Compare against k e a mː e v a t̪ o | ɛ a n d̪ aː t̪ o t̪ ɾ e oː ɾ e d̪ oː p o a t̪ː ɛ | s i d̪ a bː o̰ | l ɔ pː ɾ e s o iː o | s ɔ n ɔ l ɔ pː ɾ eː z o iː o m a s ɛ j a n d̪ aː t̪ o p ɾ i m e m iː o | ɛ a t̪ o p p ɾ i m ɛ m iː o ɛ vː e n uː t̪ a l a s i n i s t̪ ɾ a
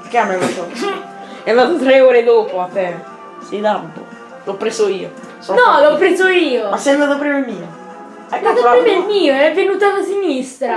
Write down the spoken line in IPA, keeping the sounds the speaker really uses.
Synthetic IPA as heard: k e a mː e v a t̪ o | ɛ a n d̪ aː t̪ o t̪ ɾ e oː ɾ e d̪ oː p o a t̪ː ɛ | s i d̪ a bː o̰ | l ɔ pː ɾ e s o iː o | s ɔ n ɔ l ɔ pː ɾ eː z o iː o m a s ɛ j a n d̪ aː t̪ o p ɾ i m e m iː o | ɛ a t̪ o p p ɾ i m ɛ m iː o ɛ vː e n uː t̪ a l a s i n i s t̪ ɾ a

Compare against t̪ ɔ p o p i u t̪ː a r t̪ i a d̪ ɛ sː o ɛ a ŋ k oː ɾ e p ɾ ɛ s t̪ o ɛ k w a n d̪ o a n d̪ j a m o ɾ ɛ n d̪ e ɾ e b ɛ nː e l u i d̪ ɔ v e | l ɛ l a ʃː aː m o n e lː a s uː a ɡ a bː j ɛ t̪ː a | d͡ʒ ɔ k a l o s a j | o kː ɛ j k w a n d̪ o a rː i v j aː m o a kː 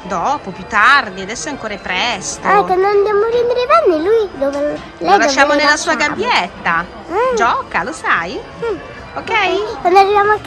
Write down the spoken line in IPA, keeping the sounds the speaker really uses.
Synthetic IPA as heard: d̪ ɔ p o p j u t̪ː a r d̪ i a d̪ ɛ sː o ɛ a ŋ k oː ɾ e p ɾ ɛ s t̪ o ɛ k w a n d̪ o a n d̪ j a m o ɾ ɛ n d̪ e ɾ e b ɛ nː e l u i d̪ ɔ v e | l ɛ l a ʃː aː m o n e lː a s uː a ɡ a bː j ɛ t̪ː a | d͡ʒ ɔ k a l o s a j | o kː ɛ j k w a n d̪ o a rː i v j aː m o a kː

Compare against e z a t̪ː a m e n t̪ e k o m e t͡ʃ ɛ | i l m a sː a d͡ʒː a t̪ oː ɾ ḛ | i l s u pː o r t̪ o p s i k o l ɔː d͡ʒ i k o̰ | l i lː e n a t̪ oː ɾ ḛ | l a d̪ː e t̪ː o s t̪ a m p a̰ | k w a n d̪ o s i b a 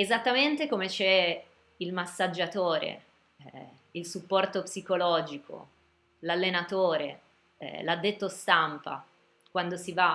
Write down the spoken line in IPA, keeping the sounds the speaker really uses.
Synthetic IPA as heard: e z a t̪ː a m e n t̪ e k o m e t͡ʃ ɛ | i l m a sː a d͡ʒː a t̪ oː ɾ ḛ | i l s u pː ɔ r t̪ o p s i k o l ɔː d͡ʒ i k o̰ | l a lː e n a t̪ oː ɾ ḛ | l a d̪ː e t̪ː o s t̪ a m p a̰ | k w a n d̪ o s i v a

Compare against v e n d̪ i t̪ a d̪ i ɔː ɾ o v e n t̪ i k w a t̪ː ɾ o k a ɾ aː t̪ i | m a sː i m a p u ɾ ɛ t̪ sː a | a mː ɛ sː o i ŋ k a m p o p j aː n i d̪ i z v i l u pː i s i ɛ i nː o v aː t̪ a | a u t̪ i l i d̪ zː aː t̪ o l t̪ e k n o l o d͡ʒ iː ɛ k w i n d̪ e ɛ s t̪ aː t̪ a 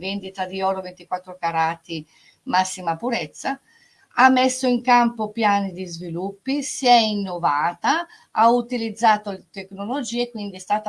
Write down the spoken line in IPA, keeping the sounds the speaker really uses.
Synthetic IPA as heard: v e n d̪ i t̪ a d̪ i ɔː ɾ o v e n t̪ i k w a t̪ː ɾ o k a ɾ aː t̪ i | m a sː i m a p u ɾ ɛ t̪ sː a | a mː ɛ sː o i ŋ k a m p o p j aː n i d̪ i z v i l u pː i s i ɛ i nː o v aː t̪ a | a u t̪ i l i d̪ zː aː t̪ o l t̪ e k n o l o d͡ʒ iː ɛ k w i n d̪ i ɛ s t̪ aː t̪ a

